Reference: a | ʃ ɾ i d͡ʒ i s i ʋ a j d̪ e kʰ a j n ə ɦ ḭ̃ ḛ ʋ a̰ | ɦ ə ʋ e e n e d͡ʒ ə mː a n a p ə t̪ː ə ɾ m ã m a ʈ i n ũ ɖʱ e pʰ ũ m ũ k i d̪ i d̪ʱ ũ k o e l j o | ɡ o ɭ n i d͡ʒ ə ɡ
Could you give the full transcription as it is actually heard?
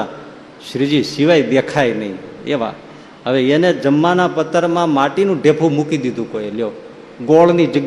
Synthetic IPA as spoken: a | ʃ ɾ i d͡ʒ i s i ʋ a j d̪ e kʰ a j n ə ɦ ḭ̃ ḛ ʋ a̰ | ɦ ə ʋ e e n e d͡ʒ ə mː a n a p ə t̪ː ə ɾ m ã m a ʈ i n ũ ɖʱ e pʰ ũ m u k i d̪ i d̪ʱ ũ k o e l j o | ɡ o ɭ n i d͡ʒ ə ɡ